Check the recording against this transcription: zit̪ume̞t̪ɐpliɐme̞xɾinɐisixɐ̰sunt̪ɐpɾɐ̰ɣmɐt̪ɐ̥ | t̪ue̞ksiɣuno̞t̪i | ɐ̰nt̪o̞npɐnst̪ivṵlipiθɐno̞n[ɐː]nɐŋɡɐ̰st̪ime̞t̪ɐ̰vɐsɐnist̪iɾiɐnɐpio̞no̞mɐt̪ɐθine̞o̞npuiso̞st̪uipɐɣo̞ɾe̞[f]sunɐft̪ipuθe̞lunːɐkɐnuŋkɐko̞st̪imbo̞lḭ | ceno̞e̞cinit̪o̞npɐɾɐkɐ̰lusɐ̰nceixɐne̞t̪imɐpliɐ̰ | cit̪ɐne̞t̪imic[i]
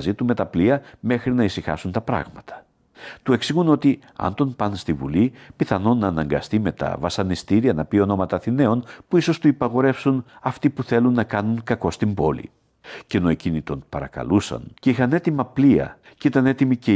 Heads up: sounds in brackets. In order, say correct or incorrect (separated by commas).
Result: correct, correct, incorrect